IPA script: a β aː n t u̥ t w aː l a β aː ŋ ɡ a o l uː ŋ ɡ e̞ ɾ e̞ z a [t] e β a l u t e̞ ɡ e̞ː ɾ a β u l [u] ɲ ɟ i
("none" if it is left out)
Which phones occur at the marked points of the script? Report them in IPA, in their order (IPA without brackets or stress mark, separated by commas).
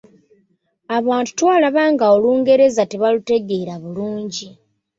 t, uː